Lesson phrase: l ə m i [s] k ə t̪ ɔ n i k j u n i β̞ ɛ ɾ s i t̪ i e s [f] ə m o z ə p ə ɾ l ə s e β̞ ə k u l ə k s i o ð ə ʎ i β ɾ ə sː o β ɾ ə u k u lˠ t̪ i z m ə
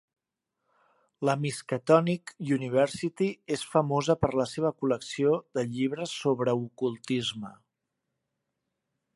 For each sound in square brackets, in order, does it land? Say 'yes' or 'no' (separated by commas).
yes, yes